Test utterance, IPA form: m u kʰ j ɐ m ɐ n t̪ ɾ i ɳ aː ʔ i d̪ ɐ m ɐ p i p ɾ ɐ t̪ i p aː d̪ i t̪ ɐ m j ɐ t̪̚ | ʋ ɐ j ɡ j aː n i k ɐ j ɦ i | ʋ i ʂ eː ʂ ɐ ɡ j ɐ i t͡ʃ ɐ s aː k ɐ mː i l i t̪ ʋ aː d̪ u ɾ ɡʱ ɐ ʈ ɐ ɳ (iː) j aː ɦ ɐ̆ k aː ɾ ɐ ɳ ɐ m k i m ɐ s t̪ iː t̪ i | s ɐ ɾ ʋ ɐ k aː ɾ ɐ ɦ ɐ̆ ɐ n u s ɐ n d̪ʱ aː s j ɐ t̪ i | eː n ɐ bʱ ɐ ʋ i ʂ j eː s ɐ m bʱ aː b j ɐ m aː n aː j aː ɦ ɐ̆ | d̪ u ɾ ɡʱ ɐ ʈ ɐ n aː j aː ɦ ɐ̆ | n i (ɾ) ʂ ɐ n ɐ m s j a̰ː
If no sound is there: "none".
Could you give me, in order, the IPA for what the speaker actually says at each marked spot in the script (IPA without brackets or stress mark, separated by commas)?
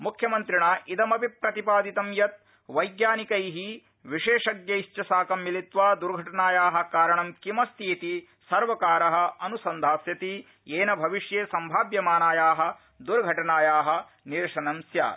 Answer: aː, ɾ